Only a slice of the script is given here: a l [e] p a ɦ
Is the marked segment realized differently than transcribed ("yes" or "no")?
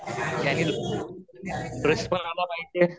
yes